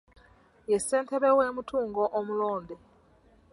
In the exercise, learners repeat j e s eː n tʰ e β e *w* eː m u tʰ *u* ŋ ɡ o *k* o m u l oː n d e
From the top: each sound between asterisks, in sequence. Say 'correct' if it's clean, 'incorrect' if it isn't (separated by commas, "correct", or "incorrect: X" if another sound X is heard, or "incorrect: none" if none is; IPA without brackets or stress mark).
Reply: correct, incorrect: uː, incorrect: ʔ